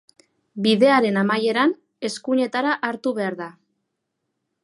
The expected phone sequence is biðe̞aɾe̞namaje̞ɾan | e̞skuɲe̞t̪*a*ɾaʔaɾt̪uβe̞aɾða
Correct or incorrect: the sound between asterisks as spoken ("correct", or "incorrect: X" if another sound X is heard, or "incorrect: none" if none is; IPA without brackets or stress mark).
correct